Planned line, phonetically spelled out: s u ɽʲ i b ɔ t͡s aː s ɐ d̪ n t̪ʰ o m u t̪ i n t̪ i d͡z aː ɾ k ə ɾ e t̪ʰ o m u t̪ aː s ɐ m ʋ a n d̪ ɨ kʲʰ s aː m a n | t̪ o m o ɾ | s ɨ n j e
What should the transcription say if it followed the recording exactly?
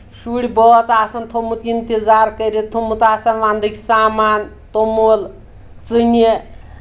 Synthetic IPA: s u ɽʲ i b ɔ t͡s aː s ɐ n t̪ʰ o m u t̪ i n t̪ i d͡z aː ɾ k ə ɾ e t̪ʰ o m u t̪ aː s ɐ n ʋ a n d̪ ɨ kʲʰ s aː m a n | t̪ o m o l | t͡s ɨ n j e

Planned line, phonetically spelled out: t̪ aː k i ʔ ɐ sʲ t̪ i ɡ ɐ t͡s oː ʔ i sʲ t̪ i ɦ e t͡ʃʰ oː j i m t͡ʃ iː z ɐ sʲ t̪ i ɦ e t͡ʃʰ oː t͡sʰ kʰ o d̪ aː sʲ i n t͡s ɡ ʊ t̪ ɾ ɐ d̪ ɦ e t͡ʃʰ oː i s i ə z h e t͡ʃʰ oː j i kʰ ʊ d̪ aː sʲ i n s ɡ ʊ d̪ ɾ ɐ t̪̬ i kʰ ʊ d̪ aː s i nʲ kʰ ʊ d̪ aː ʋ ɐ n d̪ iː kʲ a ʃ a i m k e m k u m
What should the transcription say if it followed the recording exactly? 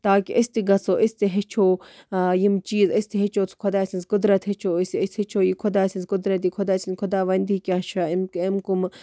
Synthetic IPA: t̪ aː k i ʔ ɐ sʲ t̪ i ɡ ɐ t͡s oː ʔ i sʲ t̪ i ɦ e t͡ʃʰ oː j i m t͡ʃ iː z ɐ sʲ t̪ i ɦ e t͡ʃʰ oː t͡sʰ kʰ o d̪ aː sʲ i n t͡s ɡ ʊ d̪ ɾ ɐ t̪ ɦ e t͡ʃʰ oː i s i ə s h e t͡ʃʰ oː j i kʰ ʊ d̪ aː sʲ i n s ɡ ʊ d̪ ɾ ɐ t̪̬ i kʰ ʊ d̪ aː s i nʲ kʰ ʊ d̪ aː ʋ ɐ n d̪ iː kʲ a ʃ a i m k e m k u m

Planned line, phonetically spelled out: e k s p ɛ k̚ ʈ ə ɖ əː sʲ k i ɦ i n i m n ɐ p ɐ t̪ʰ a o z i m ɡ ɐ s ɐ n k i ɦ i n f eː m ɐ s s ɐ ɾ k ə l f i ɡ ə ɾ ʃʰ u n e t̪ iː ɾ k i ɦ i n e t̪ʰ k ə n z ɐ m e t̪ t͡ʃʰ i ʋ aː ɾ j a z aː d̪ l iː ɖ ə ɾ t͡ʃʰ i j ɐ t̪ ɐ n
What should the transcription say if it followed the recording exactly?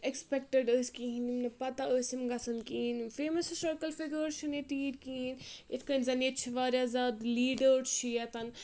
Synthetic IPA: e k s p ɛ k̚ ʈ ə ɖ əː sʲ k i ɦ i n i m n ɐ p ɐ t̪ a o s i m ɡ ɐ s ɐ n k i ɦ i n f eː m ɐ s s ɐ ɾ k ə l f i ɡ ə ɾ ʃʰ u n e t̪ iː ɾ k i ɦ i n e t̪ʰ k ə n z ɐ n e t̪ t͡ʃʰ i ʋ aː ɾ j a z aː d̪ l iː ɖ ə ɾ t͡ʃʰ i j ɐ t̪ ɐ n

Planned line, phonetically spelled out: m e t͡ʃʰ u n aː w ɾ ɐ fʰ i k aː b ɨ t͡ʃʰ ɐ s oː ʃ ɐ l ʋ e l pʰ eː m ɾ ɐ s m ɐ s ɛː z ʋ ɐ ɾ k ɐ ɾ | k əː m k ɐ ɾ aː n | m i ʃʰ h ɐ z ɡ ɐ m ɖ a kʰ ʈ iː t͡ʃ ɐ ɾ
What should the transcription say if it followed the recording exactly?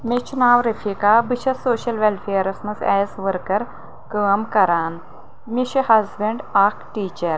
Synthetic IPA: m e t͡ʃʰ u n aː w ɾ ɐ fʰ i k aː b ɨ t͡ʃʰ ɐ s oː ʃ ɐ l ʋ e l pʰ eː ɾ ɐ s m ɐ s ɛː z ʋ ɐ ɾ k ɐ ɾ | k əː m k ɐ ɾ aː n | m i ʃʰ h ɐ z b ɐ ɳ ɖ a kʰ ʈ iː t͡ʃ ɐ ɾ

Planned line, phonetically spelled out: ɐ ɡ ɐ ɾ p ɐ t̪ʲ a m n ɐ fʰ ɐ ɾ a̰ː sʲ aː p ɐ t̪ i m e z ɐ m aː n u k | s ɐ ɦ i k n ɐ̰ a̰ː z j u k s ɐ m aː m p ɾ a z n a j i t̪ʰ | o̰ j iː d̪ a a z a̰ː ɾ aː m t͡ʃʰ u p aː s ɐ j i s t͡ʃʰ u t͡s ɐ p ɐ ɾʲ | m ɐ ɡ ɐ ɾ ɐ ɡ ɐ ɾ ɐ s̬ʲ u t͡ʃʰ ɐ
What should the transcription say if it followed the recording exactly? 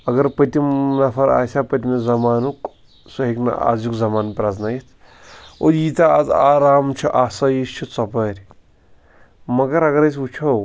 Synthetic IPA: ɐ ɡ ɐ ɾ p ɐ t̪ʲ i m n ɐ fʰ ɐ ɾ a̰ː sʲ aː p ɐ t̪ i m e z ɐ m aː n u k | s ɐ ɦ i k n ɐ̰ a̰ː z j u k z ɐ m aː n p ɾ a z n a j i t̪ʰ | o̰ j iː t̪ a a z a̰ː ɾ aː m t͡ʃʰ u ʔ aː s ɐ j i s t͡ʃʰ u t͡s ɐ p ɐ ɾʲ | m ɐ ɡ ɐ ɾ ɐ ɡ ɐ ɾ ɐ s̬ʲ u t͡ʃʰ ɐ

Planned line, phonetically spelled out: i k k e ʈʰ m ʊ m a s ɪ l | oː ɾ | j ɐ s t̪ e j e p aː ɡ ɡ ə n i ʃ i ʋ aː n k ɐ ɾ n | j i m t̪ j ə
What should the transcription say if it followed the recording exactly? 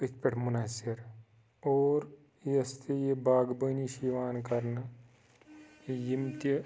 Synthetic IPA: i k p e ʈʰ m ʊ n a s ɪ ɾ | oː ɾ | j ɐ s t̪ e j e b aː ɡ b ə n i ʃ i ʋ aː n k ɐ ɾ n | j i m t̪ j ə

